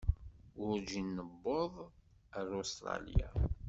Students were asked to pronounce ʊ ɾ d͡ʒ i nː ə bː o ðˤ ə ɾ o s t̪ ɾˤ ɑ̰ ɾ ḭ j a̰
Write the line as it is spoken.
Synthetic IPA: ʊ ɾ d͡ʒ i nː ə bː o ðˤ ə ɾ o s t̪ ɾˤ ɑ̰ l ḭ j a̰